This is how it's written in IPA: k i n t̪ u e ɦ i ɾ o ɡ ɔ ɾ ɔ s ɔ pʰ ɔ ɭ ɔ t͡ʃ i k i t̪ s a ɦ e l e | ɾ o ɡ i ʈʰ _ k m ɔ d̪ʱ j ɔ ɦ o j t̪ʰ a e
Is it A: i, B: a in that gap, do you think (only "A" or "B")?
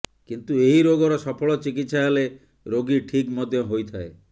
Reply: A